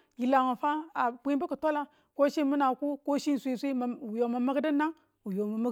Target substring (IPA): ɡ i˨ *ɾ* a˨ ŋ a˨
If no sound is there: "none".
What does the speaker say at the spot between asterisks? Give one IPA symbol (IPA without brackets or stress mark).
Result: l